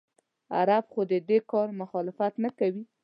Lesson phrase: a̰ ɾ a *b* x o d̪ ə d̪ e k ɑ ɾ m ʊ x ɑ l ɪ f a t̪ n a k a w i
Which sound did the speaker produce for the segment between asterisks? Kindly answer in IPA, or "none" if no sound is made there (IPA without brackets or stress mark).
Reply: b